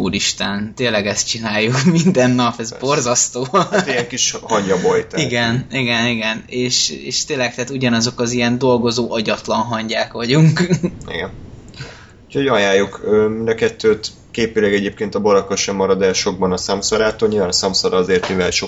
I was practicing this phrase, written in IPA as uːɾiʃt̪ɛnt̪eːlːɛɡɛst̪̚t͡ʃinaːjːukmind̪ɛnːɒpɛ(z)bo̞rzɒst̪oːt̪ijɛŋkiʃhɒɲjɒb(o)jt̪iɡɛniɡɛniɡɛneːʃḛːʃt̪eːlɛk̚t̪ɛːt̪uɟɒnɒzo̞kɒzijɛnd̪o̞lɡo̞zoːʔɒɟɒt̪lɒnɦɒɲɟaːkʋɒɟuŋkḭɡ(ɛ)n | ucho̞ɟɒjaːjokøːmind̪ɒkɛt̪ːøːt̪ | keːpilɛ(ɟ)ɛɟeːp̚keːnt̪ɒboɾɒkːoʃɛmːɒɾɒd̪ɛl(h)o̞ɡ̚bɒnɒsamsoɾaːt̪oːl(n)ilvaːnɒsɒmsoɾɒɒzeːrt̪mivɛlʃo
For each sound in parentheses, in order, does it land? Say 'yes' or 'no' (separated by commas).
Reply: yes, yes, yes, no, no, no